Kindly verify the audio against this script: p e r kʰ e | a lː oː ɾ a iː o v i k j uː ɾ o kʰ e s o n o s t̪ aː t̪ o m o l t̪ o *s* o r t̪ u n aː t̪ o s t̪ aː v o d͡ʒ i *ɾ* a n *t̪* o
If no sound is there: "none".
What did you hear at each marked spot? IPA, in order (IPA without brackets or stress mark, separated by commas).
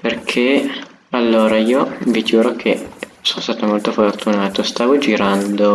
f, ɾ, d̪